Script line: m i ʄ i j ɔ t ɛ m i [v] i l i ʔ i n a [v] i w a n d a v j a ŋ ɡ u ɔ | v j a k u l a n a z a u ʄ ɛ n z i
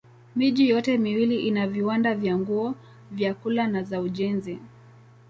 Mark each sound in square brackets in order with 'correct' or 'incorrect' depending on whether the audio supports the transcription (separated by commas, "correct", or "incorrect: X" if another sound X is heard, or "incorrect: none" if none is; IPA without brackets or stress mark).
incorrect: w, correct